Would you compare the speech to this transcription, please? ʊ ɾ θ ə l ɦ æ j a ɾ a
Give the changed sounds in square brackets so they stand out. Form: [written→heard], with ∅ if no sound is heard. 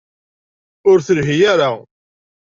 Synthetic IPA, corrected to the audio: ʊ ɾ θ ə l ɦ [æ→i] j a ɾ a